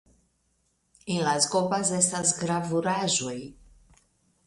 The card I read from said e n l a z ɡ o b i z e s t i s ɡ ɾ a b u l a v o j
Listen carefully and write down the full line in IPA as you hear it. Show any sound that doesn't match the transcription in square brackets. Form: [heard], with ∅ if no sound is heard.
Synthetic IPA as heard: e n l a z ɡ o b [a] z e s t [a] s ɡ ɾ a [v] u [ɾ] a [ʒ] o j